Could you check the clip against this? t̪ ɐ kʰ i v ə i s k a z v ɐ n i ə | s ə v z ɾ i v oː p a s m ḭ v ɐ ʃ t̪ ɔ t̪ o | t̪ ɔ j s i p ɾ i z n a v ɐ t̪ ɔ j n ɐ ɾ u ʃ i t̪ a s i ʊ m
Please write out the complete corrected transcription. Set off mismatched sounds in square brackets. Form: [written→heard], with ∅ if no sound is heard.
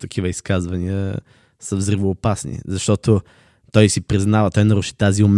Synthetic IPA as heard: t̪ ɐ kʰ i v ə i s k a z v ɐ n i ə | s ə v z ɾ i v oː p a s [m→n] ḭ [v→z] ɐ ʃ t̪ ɔ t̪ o | t̪ ɔ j s i p ɾ i z n a v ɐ t̪ ɔ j n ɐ ɾ u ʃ i t̪ a [s→z] i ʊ m